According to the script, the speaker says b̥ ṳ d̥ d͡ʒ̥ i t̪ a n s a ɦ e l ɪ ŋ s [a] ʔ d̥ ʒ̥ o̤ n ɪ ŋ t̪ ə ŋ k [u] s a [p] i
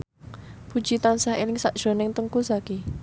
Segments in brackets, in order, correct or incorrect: correct, correct, incorrect

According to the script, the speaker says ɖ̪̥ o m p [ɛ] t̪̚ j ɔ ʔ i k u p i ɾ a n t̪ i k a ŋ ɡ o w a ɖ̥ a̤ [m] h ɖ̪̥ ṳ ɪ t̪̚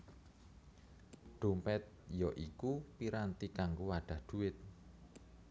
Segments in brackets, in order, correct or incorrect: correct, incorrect

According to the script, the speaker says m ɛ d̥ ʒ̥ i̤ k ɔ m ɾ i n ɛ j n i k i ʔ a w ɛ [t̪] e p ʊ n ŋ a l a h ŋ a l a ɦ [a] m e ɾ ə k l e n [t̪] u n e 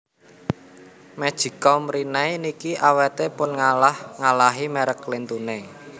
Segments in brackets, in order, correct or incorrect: correct, incorrect, correct

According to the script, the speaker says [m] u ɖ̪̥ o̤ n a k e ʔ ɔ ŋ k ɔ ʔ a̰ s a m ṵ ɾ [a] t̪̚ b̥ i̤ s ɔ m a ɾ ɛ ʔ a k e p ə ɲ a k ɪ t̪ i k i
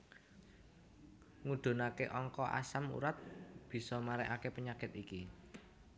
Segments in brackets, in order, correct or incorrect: incorrect, correct

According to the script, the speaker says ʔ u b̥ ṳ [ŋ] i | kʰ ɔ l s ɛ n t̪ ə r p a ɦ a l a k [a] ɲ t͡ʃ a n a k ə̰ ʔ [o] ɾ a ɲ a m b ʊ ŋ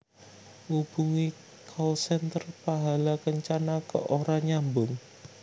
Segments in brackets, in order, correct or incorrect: correct, incorrect, correct

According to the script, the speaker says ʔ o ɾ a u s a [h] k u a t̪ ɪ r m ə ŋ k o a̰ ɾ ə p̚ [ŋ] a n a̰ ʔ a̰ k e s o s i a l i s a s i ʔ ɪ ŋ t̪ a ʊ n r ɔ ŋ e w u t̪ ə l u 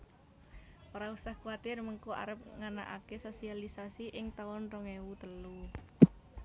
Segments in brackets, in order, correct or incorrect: correct, correct

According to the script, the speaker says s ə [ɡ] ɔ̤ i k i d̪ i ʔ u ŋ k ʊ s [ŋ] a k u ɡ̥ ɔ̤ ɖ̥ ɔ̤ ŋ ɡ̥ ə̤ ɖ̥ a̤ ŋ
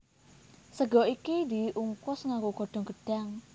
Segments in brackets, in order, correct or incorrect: correct, correct

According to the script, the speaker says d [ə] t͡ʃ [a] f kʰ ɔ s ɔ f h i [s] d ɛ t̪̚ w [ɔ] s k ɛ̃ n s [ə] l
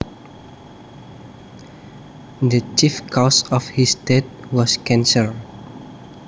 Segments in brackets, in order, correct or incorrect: correct, incorrect, correct, correct, correct

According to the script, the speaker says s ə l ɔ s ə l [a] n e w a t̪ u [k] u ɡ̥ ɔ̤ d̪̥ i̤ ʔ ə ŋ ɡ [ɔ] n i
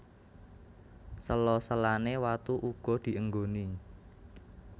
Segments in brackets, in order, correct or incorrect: correct, incorrect, incorrect

